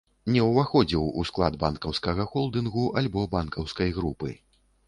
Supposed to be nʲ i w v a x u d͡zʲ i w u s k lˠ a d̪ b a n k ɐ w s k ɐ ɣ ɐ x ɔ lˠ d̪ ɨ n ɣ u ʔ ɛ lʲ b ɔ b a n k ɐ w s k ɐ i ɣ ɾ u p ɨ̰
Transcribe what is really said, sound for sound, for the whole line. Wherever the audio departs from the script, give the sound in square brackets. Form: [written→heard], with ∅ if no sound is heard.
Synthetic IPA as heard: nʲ [i→ɛ] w v a x [u→ɔ] d͡zʲ i w u s k lˠ a d̪ b a n k ɐ w s k ɐ ɣ ɐ x ɔ lˠ d̪ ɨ n ɣ u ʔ [ɛ→a] lʲ b ɔ b a n k ɐ w s k ɐ [i→j] ɣ ɾ u p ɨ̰